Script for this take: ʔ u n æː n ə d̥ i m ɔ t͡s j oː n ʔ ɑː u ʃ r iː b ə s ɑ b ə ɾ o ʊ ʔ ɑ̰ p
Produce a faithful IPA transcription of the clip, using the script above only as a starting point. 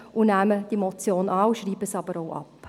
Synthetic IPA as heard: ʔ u n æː m ə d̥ i m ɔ t͡s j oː n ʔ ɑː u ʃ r iː b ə s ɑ b ə ɾ o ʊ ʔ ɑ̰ p

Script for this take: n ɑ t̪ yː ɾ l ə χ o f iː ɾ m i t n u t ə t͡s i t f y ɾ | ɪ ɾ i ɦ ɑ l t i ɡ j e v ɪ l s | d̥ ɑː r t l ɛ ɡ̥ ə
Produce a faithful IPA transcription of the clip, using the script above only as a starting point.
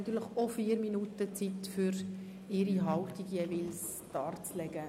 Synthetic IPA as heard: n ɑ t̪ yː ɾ l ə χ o f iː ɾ m i n u t ə t͡s i t f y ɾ | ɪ ɾ i ɦ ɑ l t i ɡ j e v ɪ l s | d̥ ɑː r t͡s l ɛ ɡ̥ ə

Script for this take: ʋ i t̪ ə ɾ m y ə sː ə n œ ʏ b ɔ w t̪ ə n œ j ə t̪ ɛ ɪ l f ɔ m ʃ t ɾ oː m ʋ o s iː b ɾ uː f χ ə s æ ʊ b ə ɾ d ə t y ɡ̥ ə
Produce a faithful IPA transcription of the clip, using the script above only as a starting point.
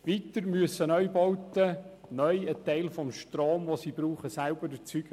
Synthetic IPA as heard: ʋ i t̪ ə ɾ m y ə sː ə n œ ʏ b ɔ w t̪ ə n œ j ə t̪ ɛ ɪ l f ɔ m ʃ t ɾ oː m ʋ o s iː b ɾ uː χ ə s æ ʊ b ə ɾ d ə t͡s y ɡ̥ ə

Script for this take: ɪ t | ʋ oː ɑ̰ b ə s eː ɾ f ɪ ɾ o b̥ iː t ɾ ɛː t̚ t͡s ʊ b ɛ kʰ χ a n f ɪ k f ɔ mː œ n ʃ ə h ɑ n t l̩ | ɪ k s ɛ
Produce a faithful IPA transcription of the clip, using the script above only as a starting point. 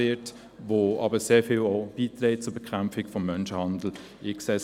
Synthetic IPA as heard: ɪ t | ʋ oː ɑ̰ b ə s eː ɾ f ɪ l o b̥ iː t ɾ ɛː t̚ t͡s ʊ b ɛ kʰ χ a m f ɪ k f ɔ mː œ n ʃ ə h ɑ n d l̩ | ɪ k s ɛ

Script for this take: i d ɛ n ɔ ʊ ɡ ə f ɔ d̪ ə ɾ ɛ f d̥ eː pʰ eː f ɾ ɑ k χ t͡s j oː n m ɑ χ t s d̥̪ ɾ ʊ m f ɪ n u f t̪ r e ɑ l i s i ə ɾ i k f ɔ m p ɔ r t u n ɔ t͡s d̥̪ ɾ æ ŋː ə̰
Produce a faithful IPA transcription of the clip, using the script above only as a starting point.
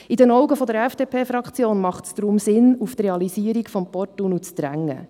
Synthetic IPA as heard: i d ɛ n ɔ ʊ ɡ ə f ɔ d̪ ə ɾ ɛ f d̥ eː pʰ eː f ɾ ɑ k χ t͡s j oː n m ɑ χ t s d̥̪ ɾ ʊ m s ɪ n u f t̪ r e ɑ l i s i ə ɾ i k f ɔ m p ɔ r t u n u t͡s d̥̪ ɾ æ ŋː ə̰

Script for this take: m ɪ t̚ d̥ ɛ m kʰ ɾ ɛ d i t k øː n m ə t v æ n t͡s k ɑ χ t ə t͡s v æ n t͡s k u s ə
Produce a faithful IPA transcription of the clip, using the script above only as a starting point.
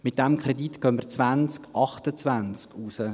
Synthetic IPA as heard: m ɪ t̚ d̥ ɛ m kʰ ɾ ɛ d i t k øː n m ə t͡s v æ n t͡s k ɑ χ t ə t͡s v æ n t͡s k u s ə

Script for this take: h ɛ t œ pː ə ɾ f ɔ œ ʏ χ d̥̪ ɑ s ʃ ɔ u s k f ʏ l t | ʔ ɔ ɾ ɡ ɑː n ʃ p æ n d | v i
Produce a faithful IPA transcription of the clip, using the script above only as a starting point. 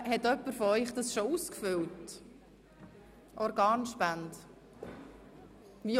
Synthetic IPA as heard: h ɛ t œ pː ə ɾ f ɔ œ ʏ χ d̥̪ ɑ s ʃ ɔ u s k f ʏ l t | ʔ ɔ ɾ ɡ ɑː n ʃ p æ n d | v i

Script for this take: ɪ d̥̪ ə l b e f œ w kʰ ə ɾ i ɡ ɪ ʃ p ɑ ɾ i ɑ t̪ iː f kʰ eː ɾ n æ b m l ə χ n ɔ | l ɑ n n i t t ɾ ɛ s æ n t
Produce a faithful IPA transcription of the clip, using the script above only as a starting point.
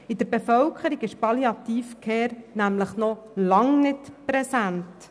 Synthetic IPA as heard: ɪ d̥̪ ə ɾ b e f œ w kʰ ə ɾ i ɡ ɪ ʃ p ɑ l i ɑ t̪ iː f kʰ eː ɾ n æ m l ə χ n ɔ | l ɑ ŋ n ɪ t p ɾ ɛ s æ n t

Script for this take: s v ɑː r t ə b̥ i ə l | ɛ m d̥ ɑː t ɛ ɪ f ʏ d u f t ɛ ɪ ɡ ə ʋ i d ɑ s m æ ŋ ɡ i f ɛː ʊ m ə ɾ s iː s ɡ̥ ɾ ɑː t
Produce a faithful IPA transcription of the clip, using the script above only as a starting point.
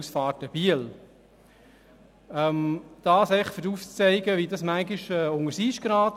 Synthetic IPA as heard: s f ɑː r t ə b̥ i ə l | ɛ m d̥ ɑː s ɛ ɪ f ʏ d u f t͡s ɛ ɪ ɡ ə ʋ i d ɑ s m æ ŋ ɡ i ʃ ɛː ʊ ŋ ə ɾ s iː ʃ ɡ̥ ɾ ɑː t

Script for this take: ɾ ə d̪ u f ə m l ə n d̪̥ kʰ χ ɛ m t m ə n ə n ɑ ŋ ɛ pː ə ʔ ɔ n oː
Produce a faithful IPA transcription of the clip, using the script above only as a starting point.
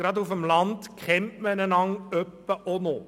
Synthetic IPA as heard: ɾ ɑ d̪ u f ə m l ɑ n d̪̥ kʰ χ ɛ m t m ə n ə n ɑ ŋ œ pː ə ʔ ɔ n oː

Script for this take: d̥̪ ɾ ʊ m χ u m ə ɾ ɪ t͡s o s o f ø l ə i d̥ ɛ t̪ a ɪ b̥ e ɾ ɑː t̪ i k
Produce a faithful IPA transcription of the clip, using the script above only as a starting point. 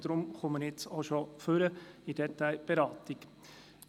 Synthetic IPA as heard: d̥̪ ɾ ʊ m χ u m ə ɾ ɪ t͡s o ʃ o f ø ɾ ə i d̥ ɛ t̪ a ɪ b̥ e ɾ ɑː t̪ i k

